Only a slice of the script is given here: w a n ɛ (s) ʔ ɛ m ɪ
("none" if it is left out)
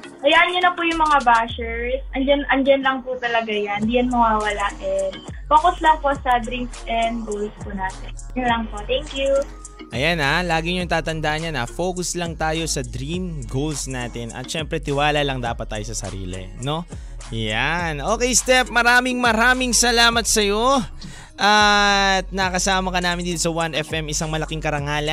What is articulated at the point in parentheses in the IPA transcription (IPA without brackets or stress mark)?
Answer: f